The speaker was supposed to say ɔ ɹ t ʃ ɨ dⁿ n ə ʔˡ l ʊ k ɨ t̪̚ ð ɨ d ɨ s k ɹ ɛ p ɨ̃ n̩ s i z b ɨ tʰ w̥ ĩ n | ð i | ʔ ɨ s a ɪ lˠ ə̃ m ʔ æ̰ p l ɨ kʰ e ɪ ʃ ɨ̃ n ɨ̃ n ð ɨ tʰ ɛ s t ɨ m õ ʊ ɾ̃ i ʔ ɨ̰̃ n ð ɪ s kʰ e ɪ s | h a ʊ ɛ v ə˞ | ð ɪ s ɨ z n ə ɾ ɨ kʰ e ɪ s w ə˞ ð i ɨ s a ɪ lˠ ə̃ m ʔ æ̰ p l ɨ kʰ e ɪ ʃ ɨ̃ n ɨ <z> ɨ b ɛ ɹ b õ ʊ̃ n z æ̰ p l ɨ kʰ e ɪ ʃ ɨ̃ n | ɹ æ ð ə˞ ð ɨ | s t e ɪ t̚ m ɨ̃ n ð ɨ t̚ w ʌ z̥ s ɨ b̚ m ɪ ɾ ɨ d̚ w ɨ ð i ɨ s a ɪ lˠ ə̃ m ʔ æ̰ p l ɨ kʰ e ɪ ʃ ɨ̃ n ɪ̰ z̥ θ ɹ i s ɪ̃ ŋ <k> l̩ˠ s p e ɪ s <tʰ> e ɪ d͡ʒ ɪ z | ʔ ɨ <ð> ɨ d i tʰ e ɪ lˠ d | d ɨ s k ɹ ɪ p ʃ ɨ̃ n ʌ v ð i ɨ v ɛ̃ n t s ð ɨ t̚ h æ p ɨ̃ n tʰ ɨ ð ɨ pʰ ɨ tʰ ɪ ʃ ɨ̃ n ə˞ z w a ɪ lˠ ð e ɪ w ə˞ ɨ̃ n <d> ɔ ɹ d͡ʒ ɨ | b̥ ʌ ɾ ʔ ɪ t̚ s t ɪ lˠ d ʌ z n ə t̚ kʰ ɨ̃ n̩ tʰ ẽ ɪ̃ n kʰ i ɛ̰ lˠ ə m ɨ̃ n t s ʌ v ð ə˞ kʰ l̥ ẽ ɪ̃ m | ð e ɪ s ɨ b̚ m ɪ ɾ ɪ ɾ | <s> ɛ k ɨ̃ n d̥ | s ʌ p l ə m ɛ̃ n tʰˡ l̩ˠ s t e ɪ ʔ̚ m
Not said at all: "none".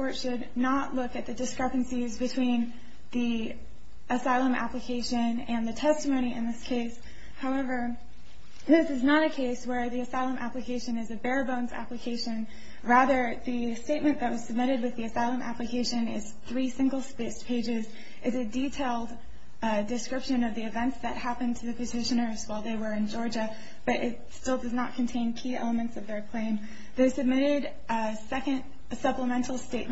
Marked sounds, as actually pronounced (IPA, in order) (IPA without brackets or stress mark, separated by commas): z, ɡ, pʰ, z, d͡ʒ, s